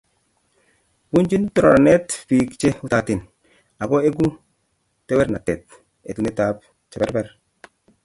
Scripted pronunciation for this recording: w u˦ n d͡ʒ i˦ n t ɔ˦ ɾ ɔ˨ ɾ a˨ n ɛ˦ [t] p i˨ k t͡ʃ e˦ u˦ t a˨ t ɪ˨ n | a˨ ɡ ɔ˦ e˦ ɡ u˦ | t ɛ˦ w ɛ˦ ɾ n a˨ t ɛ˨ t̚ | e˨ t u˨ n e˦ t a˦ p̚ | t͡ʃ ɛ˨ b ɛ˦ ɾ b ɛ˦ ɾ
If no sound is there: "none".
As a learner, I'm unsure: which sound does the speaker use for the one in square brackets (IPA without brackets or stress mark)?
t